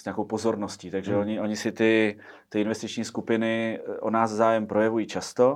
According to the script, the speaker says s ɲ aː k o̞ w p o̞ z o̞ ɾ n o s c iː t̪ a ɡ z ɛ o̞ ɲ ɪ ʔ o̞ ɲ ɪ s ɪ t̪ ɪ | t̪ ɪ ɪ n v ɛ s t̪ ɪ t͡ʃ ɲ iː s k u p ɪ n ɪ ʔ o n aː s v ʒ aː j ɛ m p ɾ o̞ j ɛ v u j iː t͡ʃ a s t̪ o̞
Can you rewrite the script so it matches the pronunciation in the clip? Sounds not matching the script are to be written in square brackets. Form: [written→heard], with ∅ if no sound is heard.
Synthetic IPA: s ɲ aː k o̞ w p o̞ z o̞ ɾ n o s c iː t̪ a ɡ [z→ʒ] ɛ o̞ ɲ ɪ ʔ o̞ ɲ ɪ s ɪ t̪ ɪ | t̪ ɪ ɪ n v ɛ s t̪ ɪ t͡ʃ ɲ iː s k u p ɪ n ɪ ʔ o n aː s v [ʒ→z] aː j ɛ m p ɾ o̞ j ɛ v u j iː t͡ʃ a s t̪ o̞